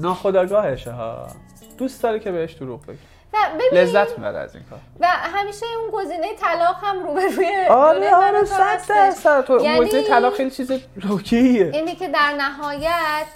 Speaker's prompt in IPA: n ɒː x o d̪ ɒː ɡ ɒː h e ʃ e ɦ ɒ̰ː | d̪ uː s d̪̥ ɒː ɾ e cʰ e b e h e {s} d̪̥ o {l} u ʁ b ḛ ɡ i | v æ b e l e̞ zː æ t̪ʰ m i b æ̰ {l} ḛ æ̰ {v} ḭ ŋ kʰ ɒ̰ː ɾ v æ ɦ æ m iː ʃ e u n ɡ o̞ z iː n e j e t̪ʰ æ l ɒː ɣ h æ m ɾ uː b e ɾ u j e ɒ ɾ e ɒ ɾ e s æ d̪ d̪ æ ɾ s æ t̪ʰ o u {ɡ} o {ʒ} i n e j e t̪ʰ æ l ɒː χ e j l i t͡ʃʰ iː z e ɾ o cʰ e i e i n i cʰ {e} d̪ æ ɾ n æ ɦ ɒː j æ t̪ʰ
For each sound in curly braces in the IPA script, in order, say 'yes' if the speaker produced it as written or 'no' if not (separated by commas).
no, no, no, no, yes, no, yes